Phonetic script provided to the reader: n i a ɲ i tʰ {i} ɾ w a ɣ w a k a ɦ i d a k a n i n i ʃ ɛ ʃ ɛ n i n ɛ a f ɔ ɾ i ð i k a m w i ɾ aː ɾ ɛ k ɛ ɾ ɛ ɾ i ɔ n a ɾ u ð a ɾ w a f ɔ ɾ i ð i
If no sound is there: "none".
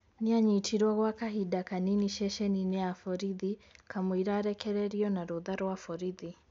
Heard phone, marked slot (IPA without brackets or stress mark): i